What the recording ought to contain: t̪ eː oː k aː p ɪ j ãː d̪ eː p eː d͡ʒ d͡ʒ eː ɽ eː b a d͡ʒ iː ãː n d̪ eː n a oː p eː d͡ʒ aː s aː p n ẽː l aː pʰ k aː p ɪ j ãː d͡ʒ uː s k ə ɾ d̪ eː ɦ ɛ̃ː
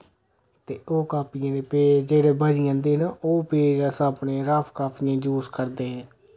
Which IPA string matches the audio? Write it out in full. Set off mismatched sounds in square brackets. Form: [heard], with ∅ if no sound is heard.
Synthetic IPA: t̪ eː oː k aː p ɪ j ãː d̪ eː p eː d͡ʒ d͡ʒ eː ɽ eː b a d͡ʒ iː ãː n d̪ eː n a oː p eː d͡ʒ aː s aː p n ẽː [ɾ] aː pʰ k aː p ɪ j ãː d͡ʒ uː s k ə ɾ d̪ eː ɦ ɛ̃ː